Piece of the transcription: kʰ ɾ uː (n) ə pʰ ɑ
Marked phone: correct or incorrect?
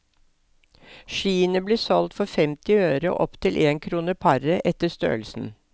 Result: correct